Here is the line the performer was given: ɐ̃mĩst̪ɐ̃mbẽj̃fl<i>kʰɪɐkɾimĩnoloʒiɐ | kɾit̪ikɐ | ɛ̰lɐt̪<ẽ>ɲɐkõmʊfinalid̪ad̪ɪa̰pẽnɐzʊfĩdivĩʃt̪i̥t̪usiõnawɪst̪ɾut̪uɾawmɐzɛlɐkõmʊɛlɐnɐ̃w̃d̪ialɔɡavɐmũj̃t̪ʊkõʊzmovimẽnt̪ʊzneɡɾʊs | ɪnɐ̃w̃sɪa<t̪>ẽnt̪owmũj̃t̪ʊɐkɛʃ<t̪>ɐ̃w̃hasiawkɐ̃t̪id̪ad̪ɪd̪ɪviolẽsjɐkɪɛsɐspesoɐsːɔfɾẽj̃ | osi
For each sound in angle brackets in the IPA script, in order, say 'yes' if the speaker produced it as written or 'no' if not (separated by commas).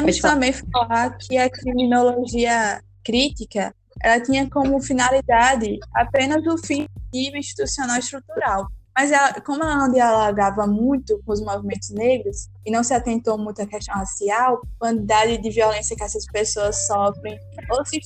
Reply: no, no, yes, yes